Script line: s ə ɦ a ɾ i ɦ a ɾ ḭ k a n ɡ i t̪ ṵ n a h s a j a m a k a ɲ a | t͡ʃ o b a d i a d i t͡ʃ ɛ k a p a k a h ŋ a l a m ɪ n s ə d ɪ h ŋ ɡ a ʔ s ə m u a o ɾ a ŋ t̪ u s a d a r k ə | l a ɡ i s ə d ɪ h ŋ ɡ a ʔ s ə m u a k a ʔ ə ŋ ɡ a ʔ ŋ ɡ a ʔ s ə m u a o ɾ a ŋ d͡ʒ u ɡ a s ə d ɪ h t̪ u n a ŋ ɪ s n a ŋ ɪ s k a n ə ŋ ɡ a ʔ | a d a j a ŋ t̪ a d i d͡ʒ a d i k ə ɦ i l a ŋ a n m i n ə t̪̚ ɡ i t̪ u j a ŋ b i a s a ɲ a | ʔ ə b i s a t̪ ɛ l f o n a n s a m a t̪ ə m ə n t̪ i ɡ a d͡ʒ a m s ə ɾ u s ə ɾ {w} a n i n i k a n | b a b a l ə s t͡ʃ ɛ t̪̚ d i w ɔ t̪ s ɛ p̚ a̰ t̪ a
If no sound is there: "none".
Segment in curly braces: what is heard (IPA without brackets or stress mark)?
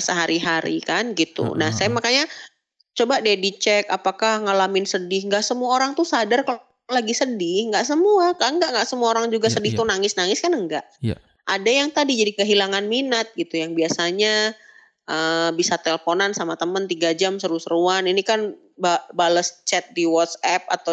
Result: u